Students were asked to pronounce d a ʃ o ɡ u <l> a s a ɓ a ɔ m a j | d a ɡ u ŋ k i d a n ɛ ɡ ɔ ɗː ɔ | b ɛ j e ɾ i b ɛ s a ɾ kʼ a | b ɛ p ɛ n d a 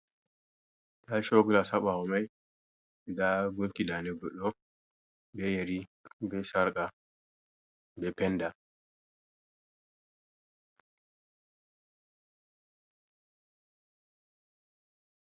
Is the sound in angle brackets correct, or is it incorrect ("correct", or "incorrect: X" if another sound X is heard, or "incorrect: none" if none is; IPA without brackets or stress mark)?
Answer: correct